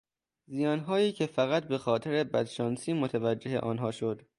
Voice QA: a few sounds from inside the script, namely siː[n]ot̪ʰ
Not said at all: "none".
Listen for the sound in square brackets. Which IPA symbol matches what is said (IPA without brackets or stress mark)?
m